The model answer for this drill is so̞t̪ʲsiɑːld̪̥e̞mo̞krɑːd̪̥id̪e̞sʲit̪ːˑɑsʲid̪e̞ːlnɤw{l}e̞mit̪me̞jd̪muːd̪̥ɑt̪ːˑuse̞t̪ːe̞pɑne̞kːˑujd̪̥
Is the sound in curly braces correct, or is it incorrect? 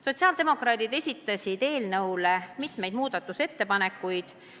correct